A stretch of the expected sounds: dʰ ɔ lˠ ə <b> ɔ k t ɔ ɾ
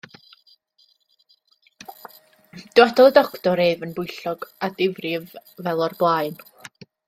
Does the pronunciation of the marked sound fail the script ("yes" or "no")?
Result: yes